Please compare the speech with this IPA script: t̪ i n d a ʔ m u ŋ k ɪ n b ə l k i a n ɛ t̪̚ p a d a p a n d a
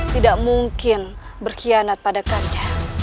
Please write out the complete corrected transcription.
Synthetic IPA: t̪ i d a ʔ m u ŋ k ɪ n b ə r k i a n a t̪̚ p a d a k a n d a